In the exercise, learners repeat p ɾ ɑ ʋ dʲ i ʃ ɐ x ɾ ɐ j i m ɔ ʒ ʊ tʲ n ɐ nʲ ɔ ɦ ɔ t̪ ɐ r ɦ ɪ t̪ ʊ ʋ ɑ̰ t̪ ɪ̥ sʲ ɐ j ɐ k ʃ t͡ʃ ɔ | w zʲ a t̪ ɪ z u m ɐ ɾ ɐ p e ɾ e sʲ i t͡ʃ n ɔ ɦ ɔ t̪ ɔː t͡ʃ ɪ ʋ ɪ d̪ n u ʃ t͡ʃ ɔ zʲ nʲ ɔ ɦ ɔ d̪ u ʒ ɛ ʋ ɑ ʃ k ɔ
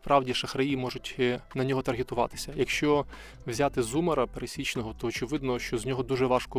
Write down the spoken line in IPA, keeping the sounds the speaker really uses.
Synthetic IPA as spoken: p ɾ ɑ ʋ dʲ i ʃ ɐ x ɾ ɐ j i m ɔ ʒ ʊ tʲ n ɐ nʲ ɔ ɦ ɔ t̪ ɐ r ɦ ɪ t̪ ʊ ʋ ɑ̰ t̪ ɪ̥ sʲ ɐ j ɐ k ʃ t͡ʃ ɔ | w zʲ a t̪ ɪ z u m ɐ ɾ ɐ p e ɾ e sʲ i t͡ʃ n ɔ ɦ ɔ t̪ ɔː t͡ʃ ɪ ʋ ɪ d̪ n ɔ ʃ t͡ʃ ɔ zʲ nʲ ɔ ɦ ɔ d̪ u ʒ ɛ ʋ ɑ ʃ k ɔ